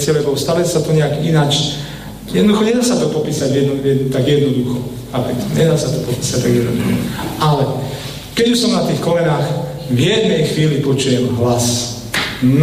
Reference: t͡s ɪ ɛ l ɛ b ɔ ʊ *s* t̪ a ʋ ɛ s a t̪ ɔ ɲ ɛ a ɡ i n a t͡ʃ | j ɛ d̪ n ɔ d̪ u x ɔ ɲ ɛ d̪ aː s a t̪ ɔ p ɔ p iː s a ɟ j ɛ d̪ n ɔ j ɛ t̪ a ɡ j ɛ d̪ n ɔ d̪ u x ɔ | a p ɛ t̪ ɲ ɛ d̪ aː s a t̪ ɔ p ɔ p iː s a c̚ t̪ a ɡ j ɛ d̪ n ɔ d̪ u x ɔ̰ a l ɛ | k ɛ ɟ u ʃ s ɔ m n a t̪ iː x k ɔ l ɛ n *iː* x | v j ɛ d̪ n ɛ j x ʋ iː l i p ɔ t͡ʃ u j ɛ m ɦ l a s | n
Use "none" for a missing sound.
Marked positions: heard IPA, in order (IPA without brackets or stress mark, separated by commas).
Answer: s, aː